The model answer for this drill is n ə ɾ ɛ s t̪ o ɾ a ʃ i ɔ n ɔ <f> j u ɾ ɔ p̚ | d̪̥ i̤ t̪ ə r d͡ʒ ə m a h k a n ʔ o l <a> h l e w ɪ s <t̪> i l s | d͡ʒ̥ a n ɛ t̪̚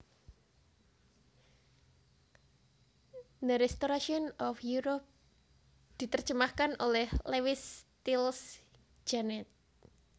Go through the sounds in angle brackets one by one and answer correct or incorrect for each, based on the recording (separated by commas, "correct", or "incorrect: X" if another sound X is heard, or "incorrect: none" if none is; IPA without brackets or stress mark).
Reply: correct, incorrect: ɛ, correct